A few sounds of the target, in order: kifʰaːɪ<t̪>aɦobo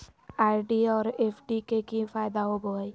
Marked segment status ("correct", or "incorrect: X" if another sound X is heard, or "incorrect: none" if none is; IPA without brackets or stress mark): incorrect: d̪